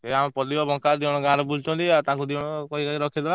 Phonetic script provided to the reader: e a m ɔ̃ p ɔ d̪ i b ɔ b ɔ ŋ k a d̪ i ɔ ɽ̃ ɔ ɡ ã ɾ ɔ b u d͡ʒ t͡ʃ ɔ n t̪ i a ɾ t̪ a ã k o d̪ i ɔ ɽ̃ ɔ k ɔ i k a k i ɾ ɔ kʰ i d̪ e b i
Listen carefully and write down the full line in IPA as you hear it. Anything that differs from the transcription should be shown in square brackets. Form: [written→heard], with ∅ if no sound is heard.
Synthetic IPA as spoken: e a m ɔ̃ p ɔ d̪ i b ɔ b ɔ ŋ k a d̪ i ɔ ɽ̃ ɔ ɡ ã ɾ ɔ b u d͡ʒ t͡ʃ ɔ n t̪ i a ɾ t̪ a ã k [o→u] d̪ i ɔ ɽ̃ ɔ k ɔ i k a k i ɾ ɔ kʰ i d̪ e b [i→a]